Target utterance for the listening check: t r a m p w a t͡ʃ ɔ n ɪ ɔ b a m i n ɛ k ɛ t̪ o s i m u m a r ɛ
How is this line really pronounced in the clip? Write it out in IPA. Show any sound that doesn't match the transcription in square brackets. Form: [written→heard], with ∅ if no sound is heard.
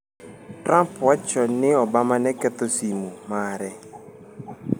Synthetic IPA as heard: t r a m p w a t͡ʃ ɔ n ɪ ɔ b a m [i→a] n ɛ k ɛ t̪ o s i m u m a [r→ɾ] ɛ